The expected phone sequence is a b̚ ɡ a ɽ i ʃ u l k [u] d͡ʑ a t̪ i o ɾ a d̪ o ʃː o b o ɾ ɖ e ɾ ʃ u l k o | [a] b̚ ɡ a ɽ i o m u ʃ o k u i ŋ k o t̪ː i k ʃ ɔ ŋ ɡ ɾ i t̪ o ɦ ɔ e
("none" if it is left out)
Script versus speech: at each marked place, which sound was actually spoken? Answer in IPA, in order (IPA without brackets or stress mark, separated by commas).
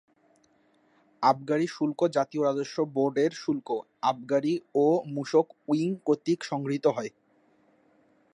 o, a